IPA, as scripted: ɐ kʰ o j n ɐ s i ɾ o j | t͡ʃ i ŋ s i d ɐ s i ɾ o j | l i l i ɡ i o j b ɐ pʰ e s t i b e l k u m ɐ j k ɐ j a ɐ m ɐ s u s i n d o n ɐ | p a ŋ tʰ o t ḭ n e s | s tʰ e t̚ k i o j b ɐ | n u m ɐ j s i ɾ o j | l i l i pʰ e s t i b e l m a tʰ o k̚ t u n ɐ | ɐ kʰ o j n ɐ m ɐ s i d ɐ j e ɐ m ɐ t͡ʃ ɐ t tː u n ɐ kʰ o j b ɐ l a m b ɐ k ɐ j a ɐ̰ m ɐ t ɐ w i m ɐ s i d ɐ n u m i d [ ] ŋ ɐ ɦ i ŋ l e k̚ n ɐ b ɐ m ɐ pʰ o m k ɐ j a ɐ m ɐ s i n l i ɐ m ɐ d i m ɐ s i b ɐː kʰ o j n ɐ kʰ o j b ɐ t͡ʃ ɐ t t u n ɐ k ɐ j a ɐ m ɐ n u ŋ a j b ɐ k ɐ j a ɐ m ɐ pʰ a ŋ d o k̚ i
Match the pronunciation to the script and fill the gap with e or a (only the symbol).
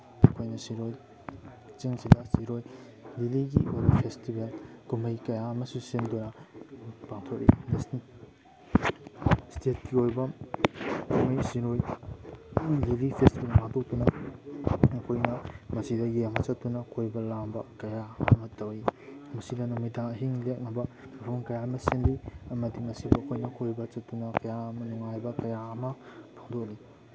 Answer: a